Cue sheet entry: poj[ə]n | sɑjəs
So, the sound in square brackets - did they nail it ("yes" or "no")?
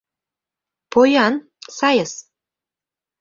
no